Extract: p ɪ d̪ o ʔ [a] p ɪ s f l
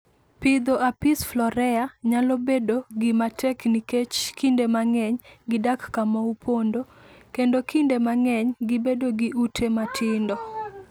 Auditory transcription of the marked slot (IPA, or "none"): a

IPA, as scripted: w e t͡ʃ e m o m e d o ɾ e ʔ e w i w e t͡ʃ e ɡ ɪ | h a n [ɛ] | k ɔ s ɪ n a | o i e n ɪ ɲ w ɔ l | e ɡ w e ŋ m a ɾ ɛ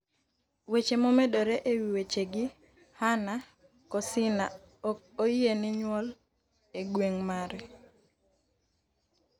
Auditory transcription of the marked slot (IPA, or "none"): a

